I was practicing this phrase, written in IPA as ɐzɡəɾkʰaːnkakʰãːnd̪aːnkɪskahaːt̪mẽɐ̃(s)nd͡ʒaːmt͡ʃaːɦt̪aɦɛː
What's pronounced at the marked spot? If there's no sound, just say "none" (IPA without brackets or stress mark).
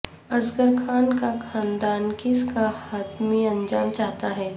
none